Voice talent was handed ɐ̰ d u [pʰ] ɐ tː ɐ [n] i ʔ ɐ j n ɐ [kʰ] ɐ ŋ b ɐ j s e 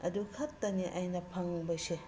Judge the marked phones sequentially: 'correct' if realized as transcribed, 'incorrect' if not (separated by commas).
incorrect, correct, incorrect